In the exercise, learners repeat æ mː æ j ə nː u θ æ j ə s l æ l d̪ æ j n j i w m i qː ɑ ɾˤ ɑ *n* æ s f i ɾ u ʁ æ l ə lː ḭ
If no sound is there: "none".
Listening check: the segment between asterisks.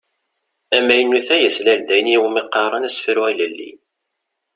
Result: n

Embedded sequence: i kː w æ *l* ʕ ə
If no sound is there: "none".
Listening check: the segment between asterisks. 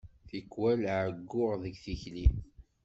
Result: l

